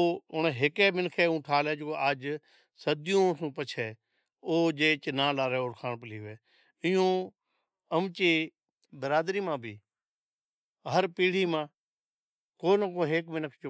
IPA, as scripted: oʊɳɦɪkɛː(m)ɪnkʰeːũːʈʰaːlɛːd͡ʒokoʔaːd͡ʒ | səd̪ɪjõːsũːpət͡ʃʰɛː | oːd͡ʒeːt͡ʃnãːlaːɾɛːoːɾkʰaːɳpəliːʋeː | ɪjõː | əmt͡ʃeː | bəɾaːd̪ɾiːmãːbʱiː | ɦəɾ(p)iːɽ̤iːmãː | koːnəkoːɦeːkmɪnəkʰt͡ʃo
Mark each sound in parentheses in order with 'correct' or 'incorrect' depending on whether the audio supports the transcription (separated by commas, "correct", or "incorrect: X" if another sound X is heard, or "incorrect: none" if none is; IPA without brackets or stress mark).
correct, correct